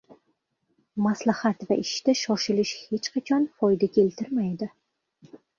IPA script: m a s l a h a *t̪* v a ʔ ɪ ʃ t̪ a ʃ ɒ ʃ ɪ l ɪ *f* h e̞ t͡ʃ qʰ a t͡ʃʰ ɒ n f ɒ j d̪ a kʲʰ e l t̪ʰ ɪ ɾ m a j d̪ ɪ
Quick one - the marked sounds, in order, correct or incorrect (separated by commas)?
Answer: correct, incorrect